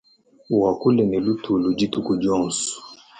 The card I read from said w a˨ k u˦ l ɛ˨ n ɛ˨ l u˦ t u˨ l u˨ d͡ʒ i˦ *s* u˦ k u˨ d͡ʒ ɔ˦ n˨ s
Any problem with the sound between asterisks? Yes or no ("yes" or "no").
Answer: yes